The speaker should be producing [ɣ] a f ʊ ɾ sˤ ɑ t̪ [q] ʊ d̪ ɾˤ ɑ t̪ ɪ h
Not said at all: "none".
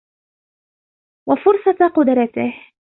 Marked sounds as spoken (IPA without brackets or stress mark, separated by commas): w, q